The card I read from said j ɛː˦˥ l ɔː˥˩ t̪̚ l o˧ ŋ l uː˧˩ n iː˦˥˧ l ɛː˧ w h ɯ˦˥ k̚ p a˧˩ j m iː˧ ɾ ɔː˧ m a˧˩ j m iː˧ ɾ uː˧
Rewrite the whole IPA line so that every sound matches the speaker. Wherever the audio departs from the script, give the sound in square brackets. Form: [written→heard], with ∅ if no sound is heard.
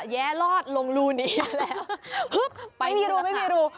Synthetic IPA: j ɛː˦˥ l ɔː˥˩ t̪̚ l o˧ ŋ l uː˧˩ n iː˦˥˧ l [ɛː˧→ɛː˦˥] w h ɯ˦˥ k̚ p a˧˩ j m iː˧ ɾ [ɔː˧→uː˧] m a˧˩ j m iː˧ ɾ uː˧